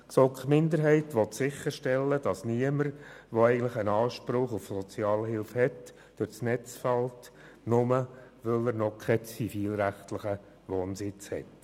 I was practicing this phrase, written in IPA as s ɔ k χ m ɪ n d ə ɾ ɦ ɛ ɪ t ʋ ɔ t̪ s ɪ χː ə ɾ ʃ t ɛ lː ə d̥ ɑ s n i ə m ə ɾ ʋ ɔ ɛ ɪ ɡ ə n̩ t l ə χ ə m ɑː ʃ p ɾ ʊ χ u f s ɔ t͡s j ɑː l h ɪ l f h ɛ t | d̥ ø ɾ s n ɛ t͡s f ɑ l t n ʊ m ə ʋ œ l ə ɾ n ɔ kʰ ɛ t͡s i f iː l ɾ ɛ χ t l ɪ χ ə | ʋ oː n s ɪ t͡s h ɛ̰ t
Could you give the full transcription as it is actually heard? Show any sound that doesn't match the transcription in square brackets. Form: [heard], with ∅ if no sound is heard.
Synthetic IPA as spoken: s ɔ k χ m ɪ n d ə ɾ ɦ ɛ ɪ t ʋ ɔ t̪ s ɪ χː ə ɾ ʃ t ɛ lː ə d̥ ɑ s n i ə m ə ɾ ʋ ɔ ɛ ɪ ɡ ə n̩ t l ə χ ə [n] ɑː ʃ p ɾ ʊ χ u f s ɔ t͡s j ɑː l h ɪ l f h ɛ t | d̥ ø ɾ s n ɛ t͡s f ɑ l t n ʊ m ə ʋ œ l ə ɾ n ɔ kʰ ɛ t͡s i f iː l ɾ [æ] χ t l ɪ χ ə | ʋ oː n s ɪ t͡s h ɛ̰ t